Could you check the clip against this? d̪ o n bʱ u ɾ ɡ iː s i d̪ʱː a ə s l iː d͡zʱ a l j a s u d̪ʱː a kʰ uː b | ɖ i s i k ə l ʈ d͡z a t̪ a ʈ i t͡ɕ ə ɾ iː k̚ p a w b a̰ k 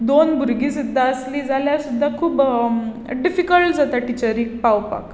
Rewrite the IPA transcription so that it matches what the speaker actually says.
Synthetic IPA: d̪ o n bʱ u ɾ ɡ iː s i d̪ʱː a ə s l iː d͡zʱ a l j a s u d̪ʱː a kʰ uː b | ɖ i f i k ə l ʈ d͡z a t̪ a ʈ i t͡ɕ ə ɾ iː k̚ p a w p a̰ k